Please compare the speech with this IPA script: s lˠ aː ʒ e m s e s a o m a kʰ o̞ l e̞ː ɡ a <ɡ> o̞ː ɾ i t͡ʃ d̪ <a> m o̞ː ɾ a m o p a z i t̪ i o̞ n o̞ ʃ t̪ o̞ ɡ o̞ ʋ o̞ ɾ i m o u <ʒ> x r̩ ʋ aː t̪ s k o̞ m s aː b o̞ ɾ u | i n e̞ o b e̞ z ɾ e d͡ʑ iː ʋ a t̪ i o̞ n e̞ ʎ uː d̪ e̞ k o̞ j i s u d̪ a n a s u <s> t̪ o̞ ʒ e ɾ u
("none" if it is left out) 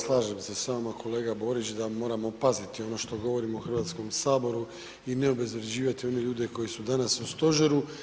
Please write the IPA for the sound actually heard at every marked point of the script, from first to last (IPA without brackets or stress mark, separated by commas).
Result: b, a, none, s